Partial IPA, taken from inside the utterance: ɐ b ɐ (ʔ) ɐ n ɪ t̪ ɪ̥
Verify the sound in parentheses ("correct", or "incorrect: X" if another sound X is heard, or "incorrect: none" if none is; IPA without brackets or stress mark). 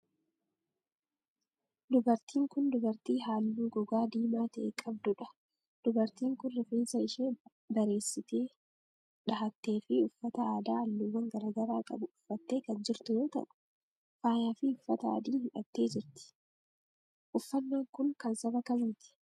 incorrect: k